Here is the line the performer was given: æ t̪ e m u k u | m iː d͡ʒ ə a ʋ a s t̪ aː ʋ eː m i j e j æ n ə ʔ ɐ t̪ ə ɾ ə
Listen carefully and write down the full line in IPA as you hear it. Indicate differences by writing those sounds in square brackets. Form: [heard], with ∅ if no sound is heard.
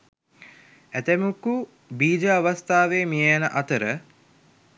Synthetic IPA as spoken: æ t̪ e m u k u | [b] iː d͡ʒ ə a ʋ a s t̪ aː ʋ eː m i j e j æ n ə ʔ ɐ t̪ ə ɾ ə